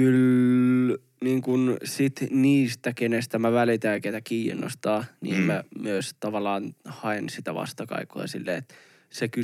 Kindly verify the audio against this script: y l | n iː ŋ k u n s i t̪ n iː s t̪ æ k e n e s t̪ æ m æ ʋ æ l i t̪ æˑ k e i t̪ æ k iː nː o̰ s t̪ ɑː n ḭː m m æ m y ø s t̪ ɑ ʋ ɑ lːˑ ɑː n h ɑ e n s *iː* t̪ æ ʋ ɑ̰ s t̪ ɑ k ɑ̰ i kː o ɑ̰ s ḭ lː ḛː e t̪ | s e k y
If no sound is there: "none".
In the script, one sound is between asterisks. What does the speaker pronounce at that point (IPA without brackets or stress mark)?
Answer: i